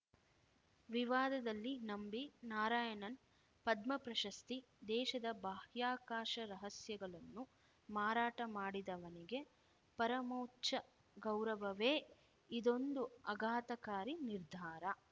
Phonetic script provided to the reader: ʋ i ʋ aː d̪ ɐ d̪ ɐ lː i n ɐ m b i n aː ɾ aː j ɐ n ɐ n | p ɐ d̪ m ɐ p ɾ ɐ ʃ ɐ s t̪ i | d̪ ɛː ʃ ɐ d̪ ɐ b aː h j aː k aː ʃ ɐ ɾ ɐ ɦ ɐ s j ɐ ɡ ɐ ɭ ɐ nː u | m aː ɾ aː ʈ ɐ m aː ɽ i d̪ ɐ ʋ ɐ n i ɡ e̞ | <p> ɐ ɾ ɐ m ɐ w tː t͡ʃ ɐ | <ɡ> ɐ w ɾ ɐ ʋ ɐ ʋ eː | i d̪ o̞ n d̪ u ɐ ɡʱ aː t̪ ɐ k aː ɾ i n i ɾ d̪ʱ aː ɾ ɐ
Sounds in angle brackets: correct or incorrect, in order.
correct, correct

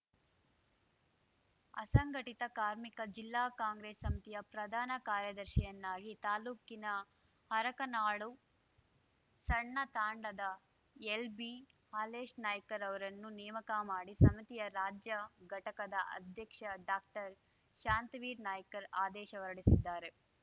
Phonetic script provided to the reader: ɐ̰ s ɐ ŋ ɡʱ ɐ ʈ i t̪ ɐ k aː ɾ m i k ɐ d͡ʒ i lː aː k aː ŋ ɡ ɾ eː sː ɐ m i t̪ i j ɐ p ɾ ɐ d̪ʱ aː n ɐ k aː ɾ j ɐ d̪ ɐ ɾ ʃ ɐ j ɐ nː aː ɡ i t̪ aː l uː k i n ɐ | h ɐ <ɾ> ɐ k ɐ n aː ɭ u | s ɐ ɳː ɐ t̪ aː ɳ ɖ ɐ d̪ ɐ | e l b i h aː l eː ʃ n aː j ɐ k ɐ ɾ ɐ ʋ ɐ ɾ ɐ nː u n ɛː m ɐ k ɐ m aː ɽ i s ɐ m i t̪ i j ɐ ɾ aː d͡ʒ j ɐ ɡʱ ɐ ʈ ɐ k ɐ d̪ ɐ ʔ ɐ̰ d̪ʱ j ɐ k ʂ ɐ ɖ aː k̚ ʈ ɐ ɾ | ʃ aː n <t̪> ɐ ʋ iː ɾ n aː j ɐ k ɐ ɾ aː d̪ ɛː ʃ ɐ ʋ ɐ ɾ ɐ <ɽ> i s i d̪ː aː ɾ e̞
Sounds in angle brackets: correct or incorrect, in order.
correct, correct, correct

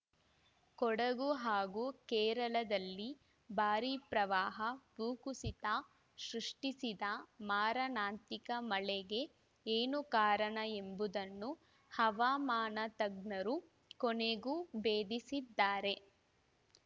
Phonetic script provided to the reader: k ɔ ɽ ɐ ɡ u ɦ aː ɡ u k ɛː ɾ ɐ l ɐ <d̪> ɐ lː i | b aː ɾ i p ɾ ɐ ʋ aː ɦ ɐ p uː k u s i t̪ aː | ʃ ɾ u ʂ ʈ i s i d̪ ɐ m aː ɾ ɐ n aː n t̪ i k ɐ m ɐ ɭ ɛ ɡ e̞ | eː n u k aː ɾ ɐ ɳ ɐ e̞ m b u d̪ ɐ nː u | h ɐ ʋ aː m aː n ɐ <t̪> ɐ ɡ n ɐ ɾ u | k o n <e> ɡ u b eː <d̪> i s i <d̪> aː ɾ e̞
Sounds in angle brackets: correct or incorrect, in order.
correct, correct, correct, correct, incorrect

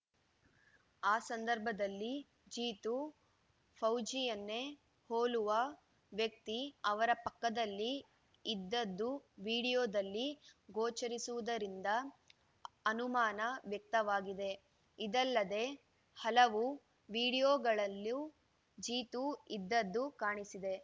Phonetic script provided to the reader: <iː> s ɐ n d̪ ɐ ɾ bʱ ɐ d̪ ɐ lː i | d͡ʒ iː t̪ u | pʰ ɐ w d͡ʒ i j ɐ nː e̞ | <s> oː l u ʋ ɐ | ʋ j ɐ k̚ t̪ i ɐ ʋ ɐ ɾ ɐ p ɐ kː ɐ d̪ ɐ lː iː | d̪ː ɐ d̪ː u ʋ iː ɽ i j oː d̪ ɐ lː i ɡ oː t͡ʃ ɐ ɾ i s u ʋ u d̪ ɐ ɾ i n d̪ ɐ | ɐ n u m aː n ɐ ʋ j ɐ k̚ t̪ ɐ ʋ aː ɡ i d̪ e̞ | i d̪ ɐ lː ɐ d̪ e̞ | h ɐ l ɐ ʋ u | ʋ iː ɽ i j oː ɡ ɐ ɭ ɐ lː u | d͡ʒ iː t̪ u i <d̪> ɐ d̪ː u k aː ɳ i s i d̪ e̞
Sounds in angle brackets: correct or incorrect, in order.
incorrect, incorrect, incorrect

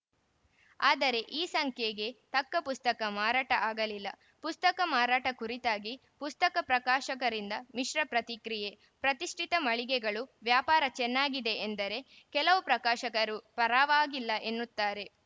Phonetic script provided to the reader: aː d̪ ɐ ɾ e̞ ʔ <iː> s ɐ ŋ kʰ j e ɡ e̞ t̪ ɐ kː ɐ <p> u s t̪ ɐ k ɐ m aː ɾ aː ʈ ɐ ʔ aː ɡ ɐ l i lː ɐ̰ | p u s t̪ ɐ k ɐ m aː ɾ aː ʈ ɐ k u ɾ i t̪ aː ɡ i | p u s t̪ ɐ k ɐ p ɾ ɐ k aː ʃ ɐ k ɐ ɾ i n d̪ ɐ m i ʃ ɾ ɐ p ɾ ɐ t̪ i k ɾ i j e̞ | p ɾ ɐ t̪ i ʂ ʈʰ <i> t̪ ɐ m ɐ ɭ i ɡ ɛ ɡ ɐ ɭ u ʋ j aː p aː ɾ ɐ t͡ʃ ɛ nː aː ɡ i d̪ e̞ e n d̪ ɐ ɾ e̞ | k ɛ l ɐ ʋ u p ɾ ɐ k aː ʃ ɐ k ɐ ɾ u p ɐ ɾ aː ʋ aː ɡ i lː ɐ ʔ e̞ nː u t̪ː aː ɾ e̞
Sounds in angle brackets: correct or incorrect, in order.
correct, correct, correct

